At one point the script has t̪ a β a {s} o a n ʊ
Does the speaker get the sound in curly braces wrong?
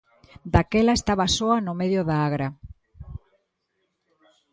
no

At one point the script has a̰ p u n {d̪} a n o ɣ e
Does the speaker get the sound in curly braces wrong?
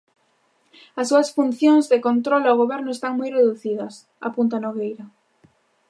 yes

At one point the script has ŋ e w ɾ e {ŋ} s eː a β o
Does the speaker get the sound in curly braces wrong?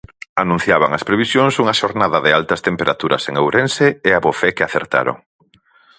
yes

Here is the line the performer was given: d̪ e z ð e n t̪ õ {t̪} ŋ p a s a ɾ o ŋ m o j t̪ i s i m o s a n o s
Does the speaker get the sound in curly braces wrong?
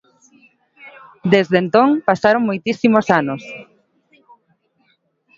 yes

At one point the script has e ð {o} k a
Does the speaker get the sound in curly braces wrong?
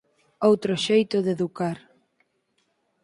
yes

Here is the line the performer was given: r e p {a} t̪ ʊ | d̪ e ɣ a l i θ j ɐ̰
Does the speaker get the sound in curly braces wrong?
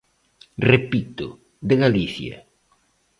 yes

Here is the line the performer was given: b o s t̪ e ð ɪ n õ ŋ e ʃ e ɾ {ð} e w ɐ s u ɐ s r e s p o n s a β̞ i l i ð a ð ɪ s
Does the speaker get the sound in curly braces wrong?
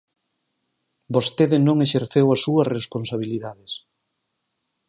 yes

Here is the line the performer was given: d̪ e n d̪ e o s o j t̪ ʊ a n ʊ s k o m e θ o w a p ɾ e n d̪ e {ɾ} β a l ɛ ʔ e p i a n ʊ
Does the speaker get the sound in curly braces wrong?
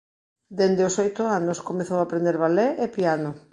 no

